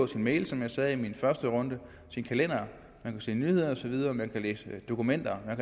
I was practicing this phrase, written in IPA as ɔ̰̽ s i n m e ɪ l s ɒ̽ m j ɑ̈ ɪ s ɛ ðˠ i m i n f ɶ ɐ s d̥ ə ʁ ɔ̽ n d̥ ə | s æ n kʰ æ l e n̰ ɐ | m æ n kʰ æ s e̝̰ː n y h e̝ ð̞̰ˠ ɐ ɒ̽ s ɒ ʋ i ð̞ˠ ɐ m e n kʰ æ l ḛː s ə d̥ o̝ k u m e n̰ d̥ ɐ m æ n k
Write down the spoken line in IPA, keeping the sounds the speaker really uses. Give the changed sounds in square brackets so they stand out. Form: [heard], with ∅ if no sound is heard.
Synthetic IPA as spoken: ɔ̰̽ s i n m e ɪ l s ɒ̽ m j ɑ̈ ɪ s ɛ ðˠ i m i n f ɶ ɐ s d̥ ə ʁ ɔ̽ n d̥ ə | s [i] n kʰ æ l e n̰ ɐ | m æ n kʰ æ s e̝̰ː n y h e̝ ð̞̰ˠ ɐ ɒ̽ s ɒ ʋ i ð̞ˠ ɐ m [æ] n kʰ æ l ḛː s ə d̥ o̝ k u m e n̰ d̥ ɐ m æ n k